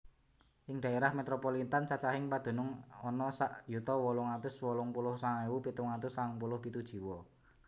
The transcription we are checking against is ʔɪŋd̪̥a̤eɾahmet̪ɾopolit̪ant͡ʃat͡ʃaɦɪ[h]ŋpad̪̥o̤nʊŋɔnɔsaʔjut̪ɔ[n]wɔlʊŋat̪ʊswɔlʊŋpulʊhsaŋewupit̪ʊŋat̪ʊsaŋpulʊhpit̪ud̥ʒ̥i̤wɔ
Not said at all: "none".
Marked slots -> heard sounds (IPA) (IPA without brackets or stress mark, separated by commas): none, none